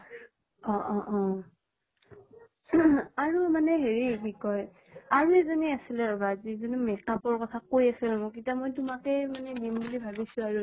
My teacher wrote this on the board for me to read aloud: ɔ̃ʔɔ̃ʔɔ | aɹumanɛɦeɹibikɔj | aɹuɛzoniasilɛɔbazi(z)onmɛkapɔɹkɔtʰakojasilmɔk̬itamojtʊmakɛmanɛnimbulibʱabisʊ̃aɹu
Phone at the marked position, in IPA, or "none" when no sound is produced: z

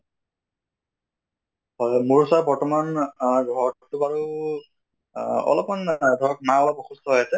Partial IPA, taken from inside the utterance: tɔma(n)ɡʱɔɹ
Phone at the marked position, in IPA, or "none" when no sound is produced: n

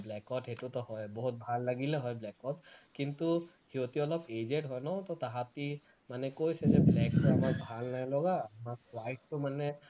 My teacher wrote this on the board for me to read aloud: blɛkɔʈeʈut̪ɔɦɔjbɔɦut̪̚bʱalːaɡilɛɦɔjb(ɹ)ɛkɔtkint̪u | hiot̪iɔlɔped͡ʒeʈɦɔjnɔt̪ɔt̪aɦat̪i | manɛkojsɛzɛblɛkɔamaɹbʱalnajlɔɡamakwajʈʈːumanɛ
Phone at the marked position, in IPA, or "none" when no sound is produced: l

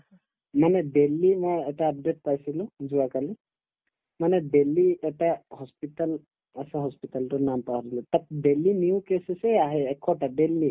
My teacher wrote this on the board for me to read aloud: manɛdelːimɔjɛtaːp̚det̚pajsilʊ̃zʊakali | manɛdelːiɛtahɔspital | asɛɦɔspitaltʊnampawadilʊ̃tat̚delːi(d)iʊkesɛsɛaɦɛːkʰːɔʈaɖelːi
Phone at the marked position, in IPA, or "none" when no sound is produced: n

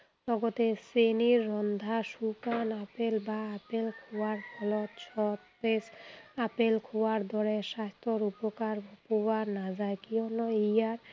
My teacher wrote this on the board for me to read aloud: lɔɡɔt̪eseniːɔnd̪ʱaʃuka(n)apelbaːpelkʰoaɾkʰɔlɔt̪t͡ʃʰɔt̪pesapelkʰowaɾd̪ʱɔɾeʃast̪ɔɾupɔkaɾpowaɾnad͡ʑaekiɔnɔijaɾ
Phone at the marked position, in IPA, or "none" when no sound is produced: n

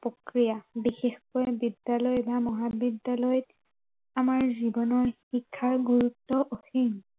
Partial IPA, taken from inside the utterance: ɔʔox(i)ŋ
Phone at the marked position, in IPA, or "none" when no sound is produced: i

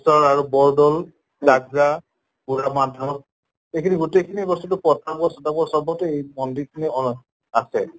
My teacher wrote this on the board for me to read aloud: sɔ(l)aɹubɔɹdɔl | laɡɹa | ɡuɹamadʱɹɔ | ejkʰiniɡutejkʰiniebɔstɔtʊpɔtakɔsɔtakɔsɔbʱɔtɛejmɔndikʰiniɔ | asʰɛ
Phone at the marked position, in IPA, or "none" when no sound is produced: ɹ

